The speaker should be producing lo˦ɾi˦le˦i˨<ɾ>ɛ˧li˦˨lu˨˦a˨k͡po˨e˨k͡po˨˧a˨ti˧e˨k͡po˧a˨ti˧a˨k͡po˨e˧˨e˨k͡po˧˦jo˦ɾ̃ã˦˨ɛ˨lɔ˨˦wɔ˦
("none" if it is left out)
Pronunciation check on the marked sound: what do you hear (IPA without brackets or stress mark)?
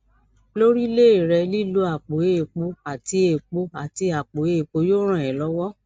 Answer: ɾ